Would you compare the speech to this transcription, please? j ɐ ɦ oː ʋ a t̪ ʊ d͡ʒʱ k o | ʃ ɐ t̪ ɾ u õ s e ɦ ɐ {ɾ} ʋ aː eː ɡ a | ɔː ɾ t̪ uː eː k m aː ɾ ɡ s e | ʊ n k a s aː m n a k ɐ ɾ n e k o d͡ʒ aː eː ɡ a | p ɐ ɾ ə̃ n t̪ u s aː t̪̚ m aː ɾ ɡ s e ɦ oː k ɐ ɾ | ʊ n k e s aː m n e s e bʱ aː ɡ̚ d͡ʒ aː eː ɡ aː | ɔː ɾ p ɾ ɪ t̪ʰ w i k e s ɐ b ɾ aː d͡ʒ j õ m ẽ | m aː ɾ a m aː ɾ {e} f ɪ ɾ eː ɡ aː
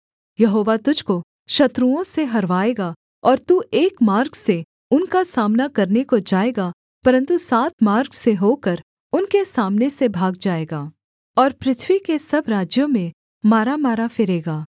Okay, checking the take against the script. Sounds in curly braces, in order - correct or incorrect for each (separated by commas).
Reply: correct, incorrect